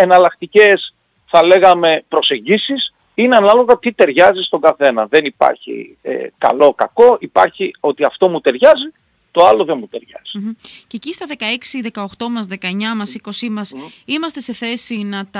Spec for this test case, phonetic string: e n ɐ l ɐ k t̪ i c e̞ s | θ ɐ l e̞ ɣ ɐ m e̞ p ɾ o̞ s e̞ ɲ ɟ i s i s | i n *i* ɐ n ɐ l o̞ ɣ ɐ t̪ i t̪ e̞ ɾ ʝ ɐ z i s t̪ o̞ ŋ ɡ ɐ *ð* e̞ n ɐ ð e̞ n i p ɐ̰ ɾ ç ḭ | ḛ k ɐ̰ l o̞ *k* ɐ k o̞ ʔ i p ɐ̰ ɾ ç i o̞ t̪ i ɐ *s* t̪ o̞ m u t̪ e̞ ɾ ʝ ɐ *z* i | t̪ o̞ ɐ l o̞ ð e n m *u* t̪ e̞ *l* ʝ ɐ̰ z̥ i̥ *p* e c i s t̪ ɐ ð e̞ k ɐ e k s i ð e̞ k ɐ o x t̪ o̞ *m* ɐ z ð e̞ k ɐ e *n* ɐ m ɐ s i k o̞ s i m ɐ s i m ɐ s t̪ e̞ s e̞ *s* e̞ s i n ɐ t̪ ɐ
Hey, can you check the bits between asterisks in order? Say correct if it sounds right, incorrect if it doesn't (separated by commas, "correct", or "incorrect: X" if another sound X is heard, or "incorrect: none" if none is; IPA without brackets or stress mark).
incorrect: e, incorrect: θ, correct, incorrect: f, correct, correct, incorrect: ɾ, incorrect: c, correct, incorrect: ɲ, incorrect: θ